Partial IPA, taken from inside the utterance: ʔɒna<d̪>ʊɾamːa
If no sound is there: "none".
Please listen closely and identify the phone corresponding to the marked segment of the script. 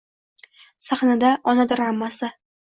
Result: d̪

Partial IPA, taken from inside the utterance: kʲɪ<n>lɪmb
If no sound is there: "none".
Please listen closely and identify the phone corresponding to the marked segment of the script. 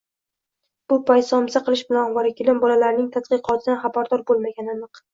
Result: none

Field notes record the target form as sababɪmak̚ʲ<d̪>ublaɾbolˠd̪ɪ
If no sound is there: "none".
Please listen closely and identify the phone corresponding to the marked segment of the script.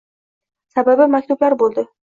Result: t̪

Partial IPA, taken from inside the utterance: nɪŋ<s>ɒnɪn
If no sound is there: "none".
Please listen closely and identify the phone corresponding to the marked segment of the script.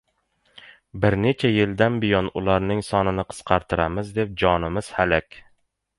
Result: s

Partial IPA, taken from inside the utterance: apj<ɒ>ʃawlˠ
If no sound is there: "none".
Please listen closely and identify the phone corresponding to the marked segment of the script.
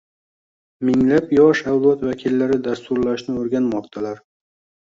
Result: ɒ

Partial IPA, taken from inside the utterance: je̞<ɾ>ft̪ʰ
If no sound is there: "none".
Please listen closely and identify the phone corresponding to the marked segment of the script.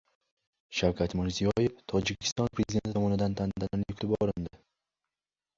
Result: none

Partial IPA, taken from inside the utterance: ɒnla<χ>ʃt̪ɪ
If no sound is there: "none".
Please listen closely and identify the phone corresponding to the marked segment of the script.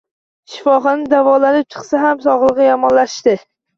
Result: ʃ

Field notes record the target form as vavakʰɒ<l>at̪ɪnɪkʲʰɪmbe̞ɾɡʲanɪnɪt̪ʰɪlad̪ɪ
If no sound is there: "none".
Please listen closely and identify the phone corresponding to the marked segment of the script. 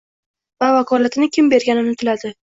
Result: l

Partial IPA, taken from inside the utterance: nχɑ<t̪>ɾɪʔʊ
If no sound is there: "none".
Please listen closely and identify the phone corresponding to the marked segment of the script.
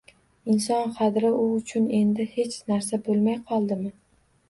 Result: d̪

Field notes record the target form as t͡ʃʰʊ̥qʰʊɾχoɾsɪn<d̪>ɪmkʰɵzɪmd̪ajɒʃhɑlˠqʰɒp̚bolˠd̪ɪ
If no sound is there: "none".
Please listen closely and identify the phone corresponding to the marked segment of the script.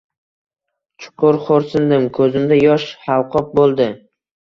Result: d̪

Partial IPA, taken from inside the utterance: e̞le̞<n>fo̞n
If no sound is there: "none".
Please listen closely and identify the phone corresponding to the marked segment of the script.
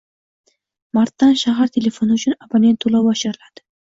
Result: none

